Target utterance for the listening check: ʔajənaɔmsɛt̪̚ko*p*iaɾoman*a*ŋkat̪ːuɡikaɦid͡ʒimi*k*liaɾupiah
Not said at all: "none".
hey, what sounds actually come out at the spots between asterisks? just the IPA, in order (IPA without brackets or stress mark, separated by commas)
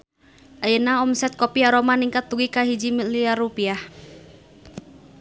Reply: p, i, none